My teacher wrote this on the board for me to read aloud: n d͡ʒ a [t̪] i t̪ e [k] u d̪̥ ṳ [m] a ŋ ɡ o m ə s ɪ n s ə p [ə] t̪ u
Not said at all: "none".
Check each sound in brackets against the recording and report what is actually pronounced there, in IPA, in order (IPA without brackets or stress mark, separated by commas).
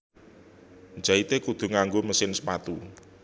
none, k, ŋ, a